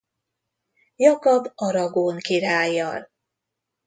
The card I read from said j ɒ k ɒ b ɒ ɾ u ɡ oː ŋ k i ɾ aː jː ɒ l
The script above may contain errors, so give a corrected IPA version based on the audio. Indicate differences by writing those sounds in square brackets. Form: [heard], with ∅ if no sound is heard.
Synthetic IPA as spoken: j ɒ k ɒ b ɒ ɾ [ɒ] ɡ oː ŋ k i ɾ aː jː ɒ l